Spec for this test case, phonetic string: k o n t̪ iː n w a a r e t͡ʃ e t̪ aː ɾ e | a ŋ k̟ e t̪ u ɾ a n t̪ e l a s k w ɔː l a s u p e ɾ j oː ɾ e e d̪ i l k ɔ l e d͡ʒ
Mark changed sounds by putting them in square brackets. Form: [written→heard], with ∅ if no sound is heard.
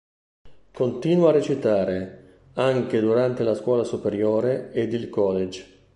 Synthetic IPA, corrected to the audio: k o n t̪ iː n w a a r e t͡ʃ [e→i] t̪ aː ɾ e | a ŋ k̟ e [t̪→d̪] u ɾ a n t̪ e l a s k w ɔː l a s u p e ɾ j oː ɾ e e d̪ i l k ɔ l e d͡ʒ